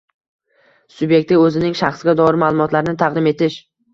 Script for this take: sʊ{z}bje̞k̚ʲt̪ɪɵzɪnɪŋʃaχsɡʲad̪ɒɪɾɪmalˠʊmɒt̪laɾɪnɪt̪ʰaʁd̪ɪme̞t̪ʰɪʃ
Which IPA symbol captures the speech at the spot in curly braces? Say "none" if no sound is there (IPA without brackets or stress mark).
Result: none